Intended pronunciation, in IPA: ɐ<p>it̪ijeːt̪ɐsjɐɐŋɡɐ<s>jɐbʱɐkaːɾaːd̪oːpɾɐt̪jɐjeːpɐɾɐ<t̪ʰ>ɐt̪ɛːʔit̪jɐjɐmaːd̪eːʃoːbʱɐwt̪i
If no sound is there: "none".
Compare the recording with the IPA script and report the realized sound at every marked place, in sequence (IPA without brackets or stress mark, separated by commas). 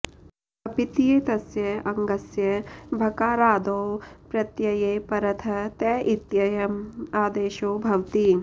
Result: p, s, t̪ʰ